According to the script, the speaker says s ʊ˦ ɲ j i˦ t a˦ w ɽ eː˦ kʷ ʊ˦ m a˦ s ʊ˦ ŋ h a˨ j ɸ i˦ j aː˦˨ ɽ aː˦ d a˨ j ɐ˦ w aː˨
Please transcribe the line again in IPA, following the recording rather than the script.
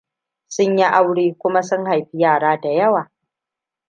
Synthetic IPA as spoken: s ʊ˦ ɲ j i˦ ʔ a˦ w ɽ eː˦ kʷ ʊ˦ m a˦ s ʊ˦ ŋ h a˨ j ɸ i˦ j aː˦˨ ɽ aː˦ d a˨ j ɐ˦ w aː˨